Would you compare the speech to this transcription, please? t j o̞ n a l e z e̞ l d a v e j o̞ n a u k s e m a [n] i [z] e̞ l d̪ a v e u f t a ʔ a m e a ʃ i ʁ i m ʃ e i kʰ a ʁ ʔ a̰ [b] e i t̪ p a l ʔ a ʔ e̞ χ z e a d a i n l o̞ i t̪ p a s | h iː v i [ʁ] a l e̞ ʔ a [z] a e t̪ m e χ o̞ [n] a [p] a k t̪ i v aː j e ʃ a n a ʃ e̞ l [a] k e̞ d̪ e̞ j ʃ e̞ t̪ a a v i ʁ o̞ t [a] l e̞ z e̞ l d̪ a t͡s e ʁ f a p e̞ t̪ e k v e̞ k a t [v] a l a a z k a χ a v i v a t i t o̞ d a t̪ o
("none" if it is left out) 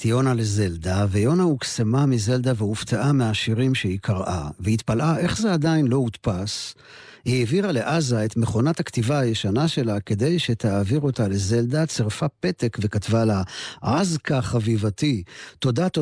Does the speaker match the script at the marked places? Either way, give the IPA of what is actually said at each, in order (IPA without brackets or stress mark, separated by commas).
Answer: m, z, v, ʁ, z, n, t, a, a, v